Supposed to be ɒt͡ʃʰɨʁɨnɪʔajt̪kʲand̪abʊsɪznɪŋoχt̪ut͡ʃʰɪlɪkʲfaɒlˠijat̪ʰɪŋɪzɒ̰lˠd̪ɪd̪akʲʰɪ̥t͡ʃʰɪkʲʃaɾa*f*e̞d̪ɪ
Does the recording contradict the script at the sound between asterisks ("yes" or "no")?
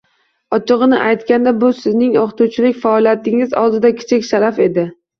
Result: no